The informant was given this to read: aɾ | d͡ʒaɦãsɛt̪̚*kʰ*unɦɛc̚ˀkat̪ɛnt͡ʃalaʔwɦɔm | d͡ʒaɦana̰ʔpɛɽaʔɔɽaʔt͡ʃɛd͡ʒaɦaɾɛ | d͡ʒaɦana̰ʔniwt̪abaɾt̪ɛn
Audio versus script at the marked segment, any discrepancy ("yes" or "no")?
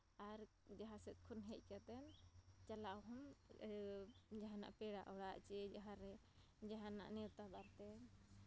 no